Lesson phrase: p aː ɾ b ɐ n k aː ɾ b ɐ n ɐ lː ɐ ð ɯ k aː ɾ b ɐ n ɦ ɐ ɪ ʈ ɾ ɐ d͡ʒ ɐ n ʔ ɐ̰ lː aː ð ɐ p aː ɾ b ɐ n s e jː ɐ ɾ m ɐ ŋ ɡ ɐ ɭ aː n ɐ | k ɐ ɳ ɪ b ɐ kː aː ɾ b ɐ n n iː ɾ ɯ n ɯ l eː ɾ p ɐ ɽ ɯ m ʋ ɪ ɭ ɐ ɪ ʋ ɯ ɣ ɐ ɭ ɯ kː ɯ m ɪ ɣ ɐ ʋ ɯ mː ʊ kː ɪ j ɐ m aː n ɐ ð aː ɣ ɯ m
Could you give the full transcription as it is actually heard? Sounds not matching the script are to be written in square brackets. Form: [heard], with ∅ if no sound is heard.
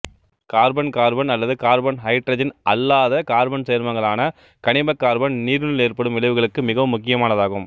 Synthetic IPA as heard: [k] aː ɾ b ɐ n k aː ɾ b ɐ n ɐ lː ɐ ð ɯ k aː ɾ b ɐ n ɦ ɐ ɪ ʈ ɾ ɐ d͡ʒ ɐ n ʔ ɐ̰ lː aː ð ɐ [k] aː ɾ b ɐ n s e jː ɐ ɾ m ɐ ŋ ɡ ɐ ɭ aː n ɐ | k ɐ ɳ ɪ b ɐ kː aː ɾ b ɐ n n iː ɾ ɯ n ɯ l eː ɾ p ɐ ɽ ɯ m ʋ ɪ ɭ ɐ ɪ ʋ ɯ ɣ ɐ ɭ ɯ kː ɯ m ɪ ɣ ɐ ʋ ɯ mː ʊ kː ɪ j ɐ m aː n ɐ ð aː ɣ ɯ m